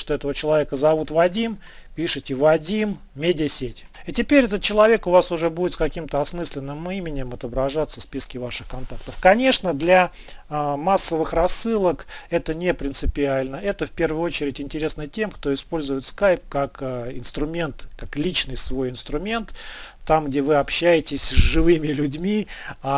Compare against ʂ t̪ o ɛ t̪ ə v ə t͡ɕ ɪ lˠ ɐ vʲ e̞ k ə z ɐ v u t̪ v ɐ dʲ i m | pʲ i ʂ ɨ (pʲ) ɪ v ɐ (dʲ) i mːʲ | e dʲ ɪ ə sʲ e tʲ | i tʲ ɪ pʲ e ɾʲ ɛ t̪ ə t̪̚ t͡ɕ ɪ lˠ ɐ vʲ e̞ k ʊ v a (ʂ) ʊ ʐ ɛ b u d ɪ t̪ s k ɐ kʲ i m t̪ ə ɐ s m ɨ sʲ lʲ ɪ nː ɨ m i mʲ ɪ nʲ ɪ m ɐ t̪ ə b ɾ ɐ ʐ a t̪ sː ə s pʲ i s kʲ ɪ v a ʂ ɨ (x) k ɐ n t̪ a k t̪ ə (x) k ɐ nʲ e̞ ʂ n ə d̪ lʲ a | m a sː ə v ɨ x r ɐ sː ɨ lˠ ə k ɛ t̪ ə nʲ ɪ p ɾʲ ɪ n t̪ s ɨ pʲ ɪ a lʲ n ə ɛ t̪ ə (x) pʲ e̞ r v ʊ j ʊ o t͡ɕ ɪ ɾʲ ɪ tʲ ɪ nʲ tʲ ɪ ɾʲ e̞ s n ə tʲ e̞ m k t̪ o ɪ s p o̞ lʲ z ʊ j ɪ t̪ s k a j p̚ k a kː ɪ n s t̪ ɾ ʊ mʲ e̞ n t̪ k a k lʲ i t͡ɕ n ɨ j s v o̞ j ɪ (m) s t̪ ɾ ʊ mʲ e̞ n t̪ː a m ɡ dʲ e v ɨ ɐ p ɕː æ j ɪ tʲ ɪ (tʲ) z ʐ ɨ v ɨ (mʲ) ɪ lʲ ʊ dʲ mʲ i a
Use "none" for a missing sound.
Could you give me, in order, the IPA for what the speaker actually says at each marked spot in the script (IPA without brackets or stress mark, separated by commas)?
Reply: tʲ, dʲ, s, x, f, f, n, sʲ, mʲ